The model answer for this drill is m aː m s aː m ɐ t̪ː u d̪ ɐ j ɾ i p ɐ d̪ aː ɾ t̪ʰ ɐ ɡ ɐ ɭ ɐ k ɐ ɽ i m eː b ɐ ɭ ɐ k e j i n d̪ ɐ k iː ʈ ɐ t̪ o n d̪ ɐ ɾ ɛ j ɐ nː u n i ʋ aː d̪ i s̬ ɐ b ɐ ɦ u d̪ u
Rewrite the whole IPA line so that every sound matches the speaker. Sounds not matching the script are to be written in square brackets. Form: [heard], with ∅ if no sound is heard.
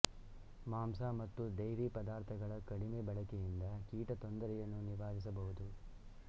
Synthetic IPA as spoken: m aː m s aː m ɐ t̪ː u d̪ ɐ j ɾ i p ɐ d̪ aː ɾ t̪ʰ ɐ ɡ ɐ ɭ ɐ k ɐ ɽ i m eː b ɐ ɭ ɐ k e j i n d̪ ɐ k iː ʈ ɐ t̪ o n d̪ ɐ ɾ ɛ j ɐ nː u n i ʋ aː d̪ i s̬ ɐ b ɐ ɦ u d̪ u